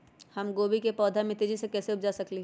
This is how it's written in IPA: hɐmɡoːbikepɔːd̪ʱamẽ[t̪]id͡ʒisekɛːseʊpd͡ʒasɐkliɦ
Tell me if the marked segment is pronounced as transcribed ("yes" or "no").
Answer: yes